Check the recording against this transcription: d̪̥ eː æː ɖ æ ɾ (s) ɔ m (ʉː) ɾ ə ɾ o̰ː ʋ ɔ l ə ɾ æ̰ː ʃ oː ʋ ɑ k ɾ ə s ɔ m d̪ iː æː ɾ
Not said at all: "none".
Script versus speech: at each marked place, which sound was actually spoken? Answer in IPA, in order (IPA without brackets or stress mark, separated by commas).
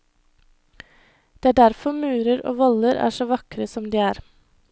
f, ʉː